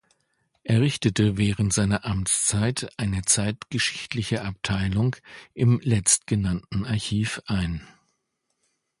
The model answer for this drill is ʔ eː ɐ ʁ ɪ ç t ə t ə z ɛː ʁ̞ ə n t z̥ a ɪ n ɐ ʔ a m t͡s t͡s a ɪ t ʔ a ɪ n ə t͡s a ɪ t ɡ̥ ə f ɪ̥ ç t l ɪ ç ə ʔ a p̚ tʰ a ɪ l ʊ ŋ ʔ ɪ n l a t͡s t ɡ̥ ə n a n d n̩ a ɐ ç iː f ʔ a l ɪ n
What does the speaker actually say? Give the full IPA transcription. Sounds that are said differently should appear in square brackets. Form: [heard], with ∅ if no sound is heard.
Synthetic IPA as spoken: ʔ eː ɐ ʁ ɪ ç t ə t ə [v] ɛː ʁ̞ ə n t z̥ a ɪ n ɐ ʔ a m t͡s t͡s a ɪ t ʔ a ɪ n ə t͡s a ɪ t ɡ̥ ə [ʃ] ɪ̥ ç t l ɪ ç ə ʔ a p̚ tʰ a ɪ l ʊ ŋ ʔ ɪ [m] l [ɛ] t͡s t ɡ̥ ə n a n [t] n̩ a ɐ ç iː f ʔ a [∅] ɪ n